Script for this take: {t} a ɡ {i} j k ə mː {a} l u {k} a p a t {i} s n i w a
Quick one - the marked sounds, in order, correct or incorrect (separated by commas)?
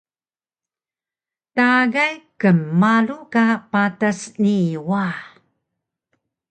correct, incorrect, correct, correct, incorrect